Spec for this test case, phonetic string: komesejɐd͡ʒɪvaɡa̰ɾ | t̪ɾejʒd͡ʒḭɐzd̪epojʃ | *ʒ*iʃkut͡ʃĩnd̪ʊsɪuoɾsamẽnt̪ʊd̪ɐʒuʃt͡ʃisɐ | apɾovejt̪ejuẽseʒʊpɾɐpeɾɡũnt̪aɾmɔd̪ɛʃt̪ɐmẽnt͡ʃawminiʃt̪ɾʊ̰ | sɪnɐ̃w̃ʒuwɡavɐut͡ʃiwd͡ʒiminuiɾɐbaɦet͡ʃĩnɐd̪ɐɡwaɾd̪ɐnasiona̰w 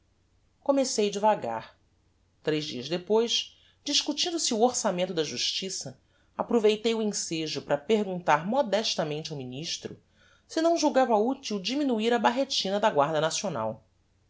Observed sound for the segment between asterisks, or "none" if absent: d͡ʒ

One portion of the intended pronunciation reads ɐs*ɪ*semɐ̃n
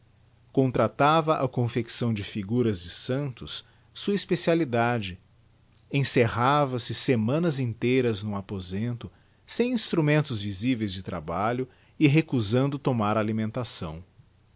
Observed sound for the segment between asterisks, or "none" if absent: ɪ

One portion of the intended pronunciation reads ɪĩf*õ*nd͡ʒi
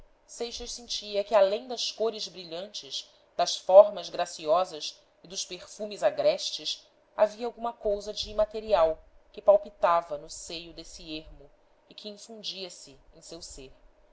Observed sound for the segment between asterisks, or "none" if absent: ũ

